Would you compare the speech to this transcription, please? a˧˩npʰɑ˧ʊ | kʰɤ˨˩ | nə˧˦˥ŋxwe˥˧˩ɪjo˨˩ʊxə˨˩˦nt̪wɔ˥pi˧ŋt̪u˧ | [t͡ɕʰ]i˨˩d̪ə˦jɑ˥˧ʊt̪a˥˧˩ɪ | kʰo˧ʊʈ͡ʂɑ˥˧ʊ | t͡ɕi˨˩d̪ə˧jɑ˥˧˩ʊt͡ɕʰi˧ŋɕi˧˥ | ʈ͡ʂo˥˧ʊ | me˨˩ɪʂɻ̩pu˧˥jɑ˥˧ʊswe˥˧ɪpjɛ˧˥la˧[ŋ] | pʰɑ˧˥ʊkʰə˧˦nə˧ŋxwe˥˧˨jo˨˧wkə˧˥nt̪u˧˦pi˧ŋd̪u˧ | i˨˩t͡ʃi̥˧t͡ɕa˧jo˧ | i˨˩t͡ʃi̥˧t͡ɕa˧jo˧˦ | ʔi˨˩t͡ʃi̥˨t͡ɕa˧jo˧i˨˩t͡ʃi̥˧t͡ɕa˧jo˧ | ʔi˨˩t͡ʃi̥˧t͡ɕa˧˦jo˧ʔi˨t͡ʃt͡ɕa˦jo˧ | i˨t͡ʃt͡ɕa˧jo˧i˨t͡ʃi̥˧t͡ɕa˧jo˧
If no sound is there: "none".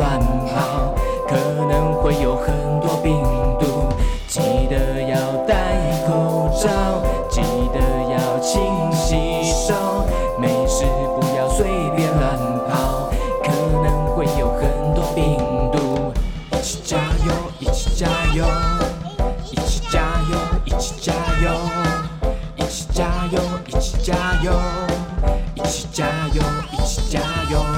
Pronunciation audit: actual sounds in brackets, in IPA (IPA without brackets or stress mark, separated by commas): t͡ɕ, n